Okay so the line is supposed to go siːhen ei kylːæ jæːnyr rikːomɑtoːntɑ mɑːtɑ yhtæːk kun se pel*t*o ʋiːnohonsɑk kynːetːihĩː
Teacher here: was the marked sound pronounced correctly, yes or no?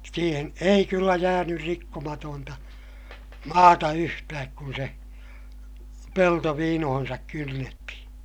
yes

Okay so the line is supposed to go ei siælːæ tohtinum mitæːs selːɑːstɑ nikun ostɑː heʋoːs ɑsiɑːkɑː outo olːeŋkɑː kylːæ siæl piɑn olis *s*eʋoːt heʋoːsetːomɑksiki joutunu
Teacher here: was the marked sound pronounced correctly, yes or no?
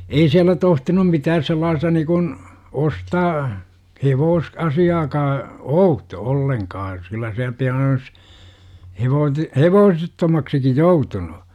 no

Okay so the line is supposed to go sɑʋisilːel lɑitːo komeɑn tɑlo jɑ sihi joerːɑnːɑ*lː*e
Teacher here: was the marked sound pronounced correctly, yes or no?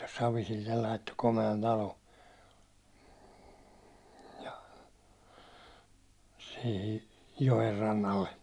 yes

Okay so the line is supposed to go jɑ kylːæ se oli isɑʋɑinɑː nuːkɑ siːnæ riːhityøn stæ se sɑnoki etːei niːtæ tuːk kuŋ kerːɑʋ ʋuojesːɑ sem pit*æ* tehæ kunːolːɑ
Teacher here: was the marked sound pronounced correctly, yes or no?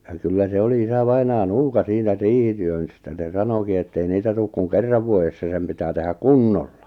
no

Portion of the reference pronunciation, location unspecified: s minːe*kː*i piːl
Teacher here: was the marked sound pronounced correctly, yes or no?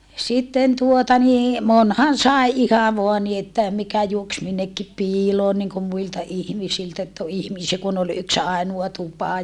yes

